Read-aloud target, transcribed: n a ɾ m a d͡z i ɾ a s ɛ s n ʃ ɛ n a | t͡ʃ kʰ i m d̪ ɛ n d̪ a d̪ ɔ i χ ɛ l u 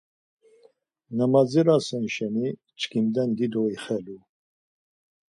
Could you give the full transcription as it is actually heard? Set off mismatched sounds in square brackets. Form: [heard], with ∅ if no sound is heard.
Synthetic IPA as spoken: n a [∅] m a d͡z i ɾ a s ɛ [∅] n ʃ ɛ n [i] | t͡ʃ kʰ i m d̪ ɛ n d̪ [i] d̪ ɔ i χ ɛ l u